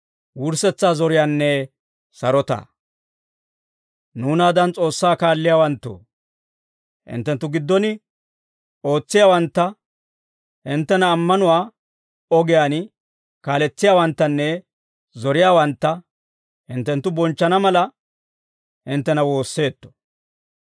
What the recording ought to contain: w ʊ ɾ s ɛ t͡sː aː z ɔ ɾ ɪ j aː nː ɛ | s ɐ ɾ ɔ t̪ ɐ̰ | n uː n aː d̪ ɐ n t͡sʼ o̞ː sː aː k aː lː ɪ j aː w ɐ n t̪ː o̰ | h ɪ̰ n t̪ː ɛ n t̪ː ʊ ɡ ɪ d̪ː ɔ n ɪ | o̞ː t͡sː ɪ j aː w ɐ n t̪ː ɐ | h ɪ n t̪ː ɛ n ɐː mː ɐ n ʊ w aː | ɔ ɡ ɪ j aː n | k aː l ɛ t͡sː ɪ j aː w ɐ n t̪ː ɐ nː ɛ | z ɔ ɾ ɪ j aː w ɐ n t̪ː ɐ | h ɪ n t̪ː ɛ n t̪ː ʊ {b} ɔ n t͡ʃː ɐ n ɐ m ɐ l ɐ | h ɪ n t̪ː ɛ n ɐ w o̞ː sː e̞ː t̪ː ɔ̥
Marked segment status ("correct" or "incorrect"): correct